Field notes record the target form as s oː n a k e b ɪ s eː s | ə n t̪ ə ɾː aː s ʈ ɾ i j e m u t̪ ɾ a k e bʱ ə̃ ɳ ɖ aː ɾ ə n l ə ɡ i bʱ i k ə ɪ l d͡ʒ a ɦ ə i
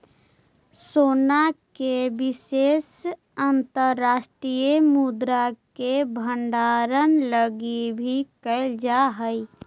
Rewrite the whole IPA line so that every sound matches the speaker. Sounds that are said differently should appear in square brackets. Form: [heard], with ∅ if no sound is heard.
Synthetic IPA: s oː n a k e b ɪ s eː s | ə n t̪ ə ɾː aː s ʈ ɾ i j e m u [d̪] ɾ a k e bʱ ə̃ ɳ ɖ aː ɾ ə n l ə ɡ i bʱ i k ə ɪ l d͡ʒ a ɦ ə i